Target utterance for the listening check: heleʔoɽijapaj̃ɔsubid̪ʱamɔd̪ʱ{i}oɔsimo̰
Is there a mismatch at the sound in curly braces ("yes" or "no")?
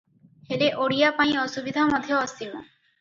yes